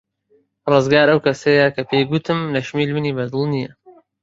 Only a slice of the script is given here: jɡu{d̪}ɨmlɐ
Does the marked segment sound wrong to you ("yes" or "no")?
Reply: yes